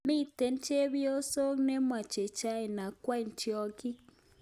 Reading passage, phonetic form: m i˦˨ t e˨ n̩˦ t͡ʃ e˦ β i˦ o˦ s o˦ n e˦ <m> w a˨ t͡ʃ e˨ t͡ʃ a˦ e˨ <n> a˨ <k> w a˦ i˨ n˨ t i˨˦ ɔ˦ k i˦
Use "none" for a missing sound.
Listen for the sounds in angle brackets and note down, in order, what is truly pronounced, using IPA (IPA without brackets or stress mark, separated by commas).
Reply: m, n, k